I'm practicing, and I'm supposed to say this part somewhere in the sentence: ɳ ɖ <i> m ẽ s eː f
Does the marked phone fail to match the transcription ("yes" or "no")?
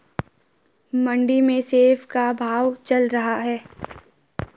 no